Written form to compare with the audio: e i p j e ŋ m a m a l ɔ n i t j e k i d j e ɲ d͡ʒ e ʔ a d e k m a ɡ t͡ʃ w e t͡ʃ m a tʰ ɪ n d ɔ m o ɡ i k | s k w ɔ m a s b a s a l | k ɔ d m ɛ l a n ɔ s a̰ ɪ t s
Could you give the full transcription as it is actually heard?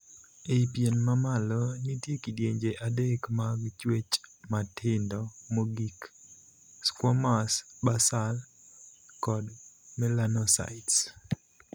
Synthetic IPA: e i p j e n m a m a l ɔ n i t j e k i d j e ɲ d͡ʒ e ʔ a d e k m a ɡ t͡ʃ w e t͡ʃ m a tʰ ɪ n d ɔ m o ɡ i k | s k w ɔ m a s b a s a l | k ɔ d m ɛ l a n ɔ s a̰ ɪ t s